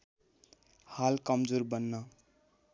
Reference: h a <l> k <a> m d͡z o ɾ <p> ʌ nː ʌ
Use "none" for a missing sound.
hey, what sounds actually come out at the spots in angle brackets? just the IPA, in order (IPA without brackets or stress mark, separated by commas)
l, ʌ, b